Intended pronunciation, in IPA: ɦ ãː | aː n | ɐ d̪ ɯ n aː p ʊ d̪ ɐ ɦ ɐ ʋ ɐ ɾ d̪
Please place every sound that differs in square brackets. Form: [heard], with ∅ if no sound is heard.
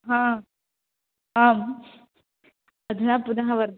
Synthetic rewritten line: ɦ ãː | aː [m] | ɐ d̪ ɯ n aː p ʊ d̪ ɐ ɦ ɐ ʋ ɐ ɾ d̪